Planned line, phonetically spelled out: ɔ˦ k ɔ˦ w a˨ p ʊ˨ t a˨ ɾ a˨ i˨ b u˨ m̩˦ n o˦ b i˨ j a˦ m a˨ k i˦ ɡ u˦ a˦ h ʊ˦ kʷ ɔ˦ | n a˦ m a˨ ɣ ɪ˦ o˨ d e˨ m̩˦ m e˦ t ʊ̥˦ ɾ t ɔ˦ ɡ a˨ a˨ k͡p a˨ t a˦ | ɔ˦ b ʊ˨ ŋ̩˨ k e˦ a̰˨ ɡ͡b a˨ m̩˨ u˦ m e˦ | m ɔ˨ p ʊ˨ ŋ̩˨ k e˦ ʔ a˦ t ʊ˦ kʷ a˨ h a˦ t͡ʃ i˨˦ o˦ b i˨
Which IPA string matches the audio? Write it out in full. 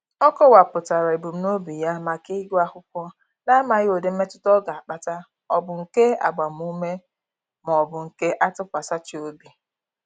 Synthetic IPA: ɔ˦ k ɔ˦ w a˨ p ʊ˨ t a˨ ɾ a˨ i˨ b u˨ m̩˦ n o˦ b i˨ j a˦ m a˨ k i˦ ɡ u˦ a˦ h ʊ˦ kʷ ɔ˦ | n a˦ m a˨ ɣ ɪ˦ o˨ d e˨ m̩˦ m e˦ t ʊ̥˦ t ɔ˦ ɡ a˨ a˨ k͡p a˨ t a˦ | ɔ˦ b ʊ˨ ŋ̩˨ k e˦ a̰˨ ɡ͡b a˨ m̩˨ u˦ m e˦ | m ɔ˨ b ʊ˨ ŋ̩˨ k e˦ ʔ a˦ t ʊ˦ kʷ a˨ s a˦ t͡ʃ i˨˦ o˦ b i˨